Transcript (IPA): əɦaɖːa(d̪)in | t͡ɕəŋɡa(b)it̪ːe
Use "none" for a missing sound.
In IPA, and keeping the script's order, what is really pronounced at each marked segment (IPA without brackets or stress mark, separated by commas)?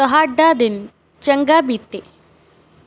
d̪, b